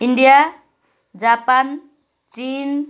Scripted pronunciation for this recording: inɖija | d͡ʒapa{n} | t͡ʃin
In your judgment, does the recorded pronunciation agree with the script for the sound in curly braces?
yes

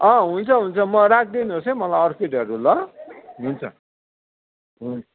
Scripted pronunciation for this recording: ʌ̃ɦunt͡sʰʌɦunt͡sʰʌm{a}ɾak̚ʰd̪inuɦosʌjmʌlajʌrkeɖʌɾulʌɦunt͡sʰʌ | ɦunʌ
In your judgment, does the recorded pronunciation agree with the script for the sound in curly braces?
no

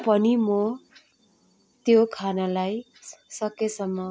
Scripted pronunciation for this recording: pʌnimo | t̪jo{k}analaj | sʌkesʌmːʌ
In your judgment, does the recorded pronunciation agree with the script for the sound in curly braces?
no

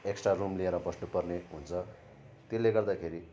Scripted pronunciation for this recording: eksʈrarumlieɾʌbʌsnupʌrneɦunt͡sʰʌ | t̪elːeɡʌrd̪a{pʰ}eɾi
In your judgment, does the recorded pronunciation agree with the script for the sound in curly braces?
no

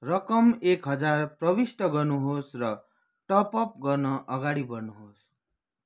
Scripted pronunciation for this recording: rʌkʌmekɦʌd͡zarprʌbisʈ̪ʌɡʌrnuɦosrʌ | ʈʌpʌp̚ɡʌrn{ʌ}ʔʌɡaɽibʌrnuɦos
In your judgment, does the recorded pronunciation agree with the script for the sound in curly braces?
yes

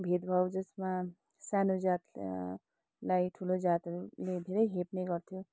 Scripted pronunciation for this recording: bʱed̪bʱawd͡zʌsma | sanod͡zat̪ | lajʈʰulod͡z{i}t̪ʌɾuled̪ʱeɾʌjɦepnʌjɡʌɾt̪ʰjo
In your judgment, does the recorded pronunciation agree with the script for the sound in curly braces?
no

